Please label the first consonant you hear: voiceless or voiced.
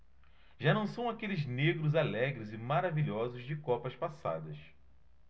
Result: voiced